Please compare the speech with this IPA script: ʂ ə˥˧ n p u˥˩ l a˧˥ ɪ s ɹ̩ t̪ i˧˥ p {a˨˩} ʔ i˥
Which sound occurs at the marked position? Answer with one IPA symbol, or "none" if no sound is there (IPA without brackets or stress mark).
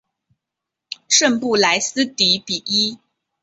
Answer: i˨˩